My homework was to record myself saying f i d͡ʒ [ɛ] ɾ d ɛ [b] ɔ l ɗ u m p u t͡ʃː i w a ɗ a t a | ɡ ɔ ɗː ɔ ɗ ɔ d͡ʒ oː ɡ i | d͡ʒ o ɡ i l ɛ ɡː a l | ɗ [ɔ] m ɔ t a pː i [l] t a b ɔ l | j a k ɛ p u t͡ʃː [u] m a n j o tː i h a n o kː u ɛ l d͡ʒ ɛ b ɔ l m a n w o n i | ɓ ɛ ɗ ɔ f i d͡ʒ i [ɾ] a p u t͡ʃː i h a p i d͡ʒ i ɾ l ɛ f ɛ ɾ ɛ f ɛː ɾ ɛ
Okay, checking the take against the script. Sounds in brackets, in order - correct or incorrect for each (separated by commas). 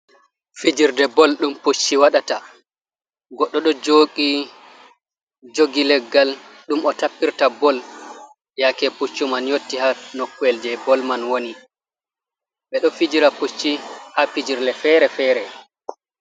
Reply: incorrect, correct, incorrect, incorrect, correct, correct